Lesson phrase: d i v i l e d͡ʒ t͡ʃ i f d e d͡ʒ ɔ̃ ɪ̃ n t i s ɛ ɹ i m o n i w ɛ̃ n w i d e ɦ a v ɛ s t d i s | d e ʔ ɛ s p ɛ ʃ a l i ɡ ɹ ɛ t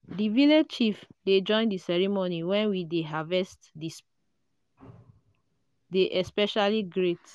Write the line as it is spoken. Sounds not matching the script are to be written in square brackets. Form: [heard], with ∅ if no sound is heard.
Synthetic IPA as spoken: d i v i l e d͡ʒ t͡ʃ i f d e d͡ʒ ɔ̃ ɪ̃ n [d] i s ɛ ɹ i m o n i w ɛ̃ n w i d e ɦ a v ɛ s t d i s | d e ʔ ɛ s p ɛ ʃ a l i ɡ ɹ [e] t